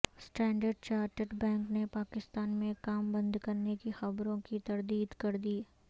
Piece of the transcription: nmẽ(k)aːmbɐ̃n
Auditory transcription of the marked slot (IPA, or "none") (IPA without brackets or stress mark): k